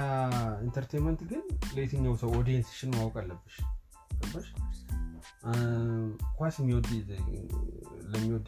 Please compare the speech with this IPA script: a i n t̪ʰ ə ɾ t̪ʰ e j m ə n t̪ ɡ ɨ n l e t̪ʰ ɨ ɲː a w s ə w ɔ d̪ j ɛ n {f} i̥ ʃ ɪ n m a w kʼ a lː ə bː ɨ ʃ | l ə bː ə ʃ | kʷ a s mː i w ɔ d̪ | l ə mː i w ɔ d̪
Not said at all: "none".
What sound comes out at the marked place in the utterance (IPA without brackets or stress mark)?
s